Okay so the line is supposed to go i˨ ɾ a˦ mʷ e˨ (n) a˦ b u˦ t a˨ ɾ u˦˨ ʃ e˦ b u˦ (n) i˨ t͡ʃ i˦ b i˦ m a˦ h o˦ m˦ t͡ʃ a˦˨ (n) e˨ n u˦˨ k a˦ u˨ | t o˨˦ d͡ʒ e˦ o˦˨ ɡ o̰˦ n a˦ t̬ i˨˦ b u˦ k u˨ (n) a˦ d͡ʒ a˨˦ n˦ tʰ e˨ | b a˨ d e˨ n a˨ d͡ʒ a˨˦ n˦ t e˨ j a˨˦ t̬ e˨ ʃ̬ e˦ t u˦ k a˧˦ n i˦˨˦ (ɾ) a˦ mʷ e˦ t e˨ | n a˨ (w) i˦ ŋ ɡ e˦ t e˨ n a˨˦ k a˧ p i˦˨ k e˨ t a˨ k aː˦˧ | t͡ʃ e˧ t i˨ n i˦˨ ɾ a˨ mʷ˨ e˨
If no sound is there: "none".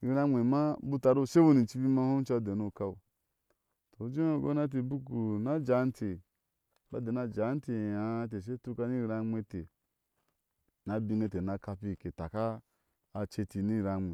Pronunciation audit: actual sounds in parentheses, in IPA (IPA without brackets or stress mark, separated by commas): m, n, d, n, ɾ, b